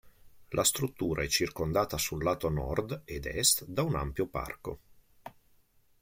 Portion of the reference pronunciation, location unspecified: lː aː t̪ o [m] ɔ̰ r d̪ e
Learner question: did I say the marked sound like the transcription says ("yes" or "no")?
no